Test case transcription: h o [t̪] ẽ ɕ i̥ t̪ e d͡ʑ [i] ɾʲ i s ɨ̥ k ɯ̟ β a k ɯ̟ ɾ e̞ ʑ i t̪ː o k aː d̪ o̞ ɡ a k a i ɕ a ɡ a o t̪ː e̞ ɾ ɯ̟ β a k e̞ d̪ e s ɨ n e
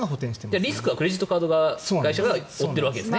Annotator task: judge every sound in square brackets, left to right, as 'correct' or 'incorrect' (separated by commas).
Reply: correct, incorrect